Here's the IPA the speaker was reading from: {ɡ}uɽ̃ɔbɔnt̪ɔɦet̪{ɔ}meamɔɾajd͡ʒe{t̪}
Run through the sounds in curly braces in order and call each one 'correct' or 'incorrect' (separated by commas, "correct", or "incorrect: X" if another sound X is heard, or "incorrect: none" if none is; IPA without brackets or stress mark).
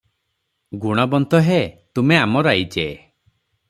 correct, incorrect: u, incorrect: none